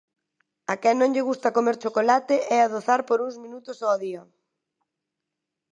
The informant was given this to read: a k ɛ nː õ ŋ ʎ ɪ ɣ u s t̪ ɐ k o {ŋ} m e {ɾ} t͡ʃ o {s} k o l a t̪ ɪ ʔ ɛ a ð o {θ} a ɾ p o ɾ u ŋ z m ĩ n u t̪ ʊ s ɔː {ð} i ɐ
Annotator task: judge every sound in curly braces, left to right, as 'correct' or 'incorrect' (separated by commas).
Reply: incorrect, correct, incorrect, correct, correct